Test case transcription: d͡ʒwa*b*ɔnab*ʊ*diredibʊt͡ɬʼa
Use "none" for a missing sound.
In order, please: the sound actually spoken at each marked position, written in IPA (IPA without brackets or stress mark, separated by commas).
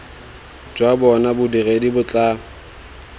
b, ʊ